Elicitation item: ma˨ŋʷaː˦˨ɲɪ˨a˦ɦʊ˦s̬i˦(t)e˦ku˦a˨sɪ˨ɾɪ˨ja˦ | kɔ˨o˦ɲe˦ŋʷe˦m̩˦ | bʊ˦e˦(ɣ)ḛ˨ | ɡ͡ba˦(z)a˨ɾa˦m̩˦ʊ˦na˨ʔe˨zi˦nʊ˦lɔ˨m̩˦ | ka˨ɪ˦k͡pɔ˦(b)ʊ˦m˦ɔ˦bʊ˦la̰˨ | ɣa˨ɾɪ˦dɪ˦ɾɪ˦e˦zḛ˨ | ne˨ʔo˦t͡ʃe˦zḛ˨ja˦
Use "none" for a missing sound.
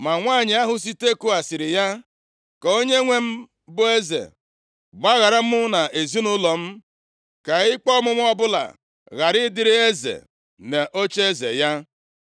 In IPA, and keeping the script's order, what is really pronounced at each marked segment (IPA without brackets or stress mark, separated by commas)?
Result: t, z, ɣ, m